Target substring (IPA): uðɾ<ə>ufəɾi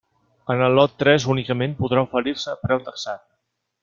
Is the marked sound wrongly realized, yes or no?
yes